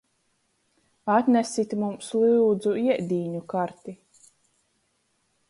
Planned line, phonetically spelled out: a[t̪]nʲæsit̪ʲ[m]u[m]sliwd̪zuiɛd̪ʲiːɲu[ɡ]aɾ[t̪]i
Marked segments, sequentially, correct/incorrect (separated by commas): correct, correct, correct, incorrect, correct